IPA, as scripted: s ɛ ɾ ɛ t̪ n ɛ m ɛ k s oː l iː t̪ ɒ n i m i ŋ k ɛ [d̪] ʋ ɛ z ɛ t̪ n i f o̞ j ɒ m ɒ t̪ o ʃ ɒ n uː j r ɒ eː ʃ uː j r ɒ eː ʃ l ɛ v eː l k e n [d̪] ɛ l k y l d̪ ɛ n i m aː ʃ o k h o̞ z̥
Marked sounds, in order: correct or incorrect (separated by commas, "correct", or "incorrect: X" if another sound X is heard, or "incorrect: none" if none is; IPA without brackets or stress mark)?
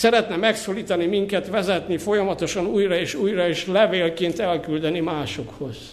incorrect: t̪, incorrect: t̪